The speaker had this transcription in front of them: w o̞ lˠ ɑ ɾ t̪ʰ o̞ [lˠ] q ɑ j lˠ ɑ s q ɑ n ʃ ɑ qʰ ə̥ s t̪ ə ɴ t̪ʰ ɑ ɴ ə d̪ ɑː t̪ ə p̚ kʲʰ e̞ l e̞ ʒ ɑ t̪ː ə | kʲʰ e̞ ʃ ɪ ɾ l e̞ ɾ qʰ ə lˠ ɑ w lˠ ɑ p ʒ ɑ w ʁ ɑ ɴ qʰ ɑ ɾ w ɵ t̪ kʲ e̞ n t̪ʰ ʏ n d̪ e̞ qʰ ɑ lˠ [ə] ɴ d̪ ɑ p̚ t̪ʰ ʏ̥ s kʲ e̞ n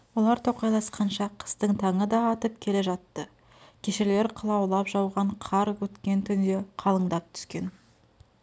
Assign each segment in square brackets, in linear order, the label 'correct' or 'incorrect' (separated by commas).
incorrect, correct